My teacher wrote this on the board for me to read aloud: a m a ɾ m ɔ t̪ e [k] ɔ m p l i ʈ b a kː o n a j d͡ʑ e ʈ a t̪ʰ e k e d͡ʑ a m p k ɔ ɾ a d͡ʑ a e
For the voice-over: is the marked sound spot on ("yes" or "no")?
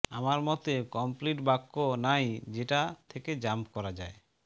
yes